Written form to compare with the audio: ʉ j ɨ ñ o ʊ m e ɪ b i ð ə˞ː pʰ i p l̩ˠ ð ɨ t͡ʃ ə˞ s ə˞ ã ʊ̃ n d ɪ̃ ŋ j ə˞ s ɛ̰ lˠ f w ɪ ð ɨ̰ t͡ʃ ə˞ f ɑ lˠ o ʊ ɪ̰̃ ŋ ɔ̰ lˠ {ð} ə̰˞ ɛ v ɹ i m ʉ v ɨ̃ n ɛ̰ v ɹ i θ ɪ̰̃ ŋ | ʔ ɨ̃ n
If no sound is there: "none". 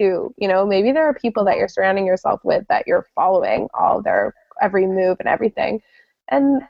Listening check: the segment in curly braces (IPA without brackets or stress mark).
ð